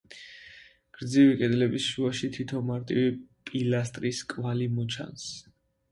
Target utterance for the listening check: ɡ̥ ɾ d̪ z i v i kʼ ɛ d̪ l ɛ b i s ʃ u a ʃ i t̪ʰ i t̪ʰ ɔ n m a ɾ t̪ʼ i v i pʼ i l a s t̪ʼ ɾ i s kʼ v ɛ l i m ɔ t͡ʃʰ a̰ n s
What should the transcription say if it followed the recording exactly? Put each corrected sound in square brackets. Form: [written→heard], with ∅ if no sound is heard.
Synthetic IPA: ɡ̥ ɾ d̪ z i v i kʼ ɛ d̪ l ɛ b i s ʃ u a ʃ i t̪ʰ i t̪ʰ ɔ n m a ɾ t̪ʼ i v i pʼ i l a s t̪ʼ ɾ i s kʼ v [ɛ→a] l i m ɔ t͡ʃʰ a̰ n s